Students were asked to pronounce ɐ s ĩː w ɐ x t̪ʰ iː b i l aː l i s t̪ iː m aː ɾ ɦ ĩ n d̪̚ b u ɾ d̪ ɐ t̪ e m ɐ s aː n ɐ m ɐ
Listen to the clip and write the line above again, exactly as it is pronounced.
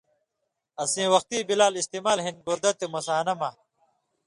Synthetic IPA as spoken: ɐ s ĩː w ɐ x t̪ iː b i l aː l i s t̪ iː m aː l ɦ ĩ n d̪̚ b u ɾ d̪ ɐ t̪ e m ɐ s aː n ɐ m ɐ